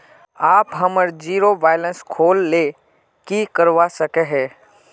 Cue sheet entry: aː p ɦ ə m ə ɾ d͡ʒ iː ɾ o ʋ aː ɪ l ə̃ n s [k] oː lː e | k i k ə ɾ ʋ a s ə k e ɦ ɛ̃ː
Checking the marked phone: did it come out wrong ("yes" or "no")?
yes